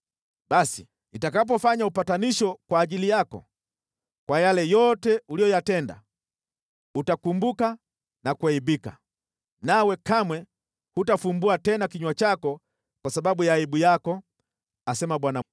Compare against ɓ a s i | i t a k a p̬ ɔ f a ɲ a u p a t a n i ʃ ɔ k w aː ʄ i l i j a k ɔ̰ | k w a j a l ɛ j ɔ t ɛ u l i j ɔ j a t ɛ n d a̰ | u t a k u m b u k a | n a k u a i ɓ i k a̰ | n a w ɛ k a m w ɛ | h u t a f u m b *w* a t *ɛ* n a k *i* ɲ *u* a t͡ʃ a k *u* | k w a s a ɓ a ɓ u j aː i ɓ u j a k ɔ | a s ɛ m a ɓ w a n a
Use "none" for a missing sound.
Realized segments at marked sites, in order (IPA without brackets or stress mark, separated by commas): u, ɛ, i, w, ɔ